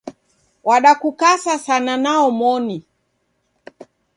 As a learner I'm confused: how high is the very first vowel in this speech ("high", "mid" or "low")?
low